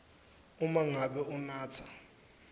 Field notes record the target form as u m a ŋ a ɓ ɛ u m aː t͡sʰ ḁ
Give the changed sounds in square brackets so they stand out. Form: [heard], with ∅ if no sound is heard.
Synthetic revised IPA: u m a ŋ a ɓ ɛ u [n] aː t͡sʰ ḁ